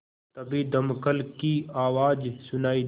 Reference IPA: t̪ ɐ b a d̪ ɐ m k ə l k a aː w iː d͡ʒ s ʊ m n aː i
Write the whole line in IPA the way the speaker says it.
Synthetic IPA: t̪ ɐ b i d̪ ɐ m k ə l k i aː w aː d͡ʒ s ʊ n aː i